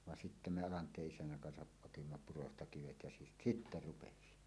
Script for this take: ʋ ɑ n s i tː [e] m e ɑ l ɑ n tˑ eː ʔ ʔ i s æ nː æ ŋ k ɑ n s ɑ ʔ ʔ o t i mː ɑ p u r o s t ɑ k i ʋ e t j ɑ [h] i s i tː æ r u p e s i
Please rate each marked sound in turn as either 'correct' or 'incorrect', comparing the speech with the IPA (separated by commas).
incorrect, incorrect